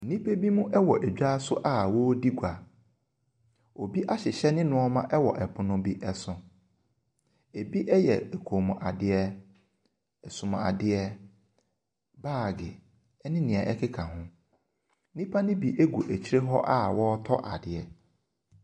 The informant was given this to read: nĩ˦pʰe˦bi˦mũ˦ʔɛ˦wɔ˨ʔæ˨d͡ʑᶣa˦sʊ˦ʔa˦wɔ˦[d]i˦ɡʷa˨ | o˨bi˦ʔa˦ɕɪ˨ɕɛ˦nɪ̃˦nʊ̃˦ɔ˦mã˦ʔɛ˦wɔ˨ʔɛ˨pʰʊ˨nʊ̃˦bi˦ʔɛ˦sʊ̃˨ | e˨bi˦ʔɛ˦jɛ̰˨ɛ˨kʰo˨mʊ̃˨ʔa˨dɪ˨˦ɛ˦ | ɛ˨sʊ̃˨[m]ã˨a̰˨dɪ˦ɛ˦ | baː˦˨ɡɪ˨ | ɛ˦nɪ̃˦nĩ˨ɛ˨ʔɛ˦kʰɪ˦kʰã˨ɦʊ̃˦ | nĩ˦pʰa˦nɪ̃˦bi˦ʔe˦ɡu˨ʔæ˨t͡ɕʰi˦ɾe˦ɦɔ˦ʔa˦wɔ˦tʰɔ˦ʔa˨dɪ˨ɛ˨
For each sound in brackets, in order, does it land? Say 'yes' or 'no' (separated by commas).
yes, yes